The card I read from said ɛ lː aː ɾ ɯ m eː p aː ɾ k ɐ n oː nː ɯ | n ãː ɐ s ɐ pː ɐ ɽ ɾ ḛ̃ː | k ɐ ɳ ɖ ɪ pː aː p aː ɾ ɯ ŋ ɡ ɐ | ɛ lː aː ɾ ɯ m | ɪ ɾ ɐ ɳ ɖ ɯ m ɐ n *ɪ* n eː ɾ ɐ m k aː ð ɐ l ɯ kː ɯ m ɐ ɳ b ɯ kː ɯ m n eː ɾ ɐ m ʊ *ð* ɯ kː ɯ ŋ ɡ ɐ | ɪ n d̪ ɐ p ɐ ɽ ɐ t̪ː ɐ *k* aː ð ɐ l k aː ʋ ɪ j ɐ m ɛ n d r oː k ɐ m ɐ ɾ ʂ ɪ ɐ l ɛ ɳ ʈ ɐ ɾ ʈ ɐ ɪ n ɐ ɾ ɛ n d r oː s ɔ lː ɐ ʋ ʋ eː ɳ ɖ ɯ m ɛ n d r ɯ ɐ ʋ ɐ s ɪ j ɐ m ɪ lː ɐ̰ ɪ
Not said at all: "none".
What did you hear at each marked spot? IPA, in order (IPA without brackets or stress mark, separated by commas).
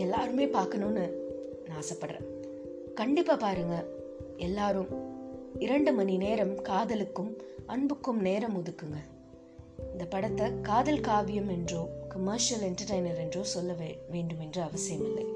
i, ð, k